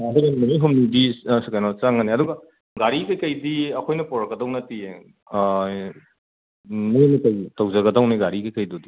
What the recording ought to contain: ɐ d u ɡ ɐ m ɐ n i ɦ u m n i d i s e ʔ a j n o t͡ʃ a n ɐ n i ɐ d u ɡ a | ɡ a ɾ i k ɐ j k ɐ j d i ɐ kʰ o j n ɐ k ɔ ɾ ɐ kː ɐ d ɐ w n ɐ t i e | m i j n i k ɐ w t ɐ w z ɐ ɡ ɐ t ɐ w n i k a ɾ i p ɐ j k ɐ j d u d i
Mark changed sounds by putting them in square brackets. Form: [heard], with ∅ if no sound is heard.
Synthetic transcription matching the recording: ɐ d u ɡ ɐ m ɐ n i ɦ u m n i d i s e [k] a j n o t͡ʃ a [ŋ] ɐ n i ɐ d u ɡ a | ɡ a ɾ i k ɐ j k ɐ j d i ɐ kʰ o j n ɐ [p] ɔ ɾ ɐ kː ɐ d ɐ w n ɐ t i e | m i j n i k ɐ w t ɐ w z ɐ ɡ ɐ [d] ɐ w n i [ɡ] a ɾ i [k] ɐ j k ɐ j d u d i